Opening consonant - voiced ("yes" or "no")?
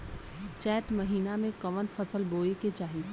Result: no